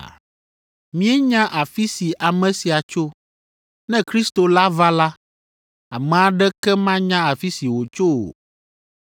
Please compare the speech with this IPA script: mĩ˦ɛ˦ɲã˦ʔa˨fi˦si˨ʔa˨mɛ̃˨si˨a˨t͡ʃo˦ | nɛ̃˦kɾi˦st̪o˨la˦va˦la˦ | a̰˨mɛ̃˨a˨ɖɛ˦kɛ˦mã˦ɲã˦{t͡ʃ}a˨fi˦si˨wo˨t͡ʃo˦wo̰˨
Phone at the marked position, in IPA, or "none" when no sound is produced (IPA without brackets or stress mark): none